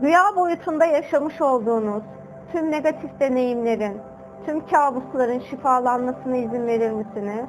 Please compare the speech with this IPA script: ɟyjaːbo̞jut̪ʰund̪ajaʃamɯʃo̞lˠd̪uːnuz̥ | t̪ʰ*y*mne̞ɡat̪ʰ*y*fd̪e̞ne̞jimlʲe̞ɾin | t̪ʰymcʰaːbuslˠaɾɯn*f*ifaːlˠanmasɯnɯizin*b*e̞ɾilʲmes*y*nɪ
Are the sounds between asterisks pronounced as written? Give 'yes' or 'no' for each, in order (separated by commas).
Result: yes, no, no, no, no